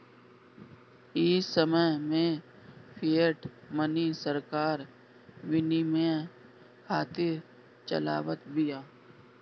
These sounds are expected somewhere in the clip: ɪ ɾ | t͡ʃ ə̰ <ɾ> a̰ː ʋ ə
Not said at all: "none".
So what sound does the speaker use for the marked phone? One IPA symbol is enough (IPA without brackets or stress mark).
l